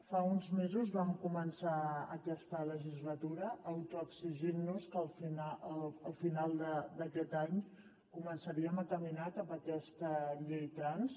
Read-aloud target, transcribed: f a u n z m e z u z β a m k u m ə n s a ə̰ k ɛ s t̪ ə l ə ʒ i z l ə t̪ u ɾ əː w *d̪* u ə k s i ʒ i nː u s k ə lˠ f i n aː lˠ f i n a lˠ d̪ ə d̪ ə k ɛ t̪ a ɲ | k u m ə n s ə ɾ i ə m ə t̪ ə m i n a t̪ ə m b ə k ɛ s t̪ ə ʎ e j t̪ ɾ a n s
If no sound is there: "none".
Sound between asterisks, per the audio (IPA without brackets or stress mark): t̪